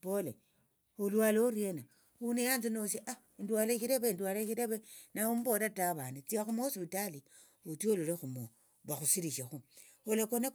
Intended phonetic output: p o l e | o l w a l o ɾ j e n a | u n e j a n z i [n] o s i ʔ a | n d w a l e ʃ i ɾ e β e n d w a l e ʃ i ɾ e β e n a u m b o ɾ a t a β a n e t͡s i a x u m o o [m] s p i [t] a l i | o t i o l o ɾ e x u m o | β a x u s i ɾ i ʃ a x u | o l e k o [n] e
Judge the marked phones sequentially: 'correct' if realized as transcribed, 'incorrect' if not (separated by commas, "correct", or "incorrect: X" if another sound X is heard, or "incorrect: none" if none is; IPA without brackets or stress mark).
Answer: correct, incorrect: none, correct, correct